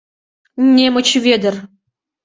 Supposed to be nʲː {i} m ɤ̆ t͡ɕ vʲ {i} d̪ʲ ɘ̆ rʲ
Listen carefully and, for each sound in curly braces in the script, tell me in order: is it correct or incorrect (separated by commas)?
incorrect, incorrect